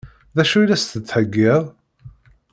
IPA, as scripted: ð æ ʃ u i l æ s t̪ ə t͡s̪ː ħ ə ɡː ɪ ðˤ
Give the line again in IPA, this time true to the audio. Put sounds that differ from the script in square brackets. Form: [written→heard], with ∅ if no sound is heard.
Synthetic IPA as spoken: ð æ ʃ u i l æ s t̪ ə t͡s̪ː ħ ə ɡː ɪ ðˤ